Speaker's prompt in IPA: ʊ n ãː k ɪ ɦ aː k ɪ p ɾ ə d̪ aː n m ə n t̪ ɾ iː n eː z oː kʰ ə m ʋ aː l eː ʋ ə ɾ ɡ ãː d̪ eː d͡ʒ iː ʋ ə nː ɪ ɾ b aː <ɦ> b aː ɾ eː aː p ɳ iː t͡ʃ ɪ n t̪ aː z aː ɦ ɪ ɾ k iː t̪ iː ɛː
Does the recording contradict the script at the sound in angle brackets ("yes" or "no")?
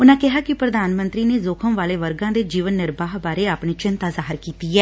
no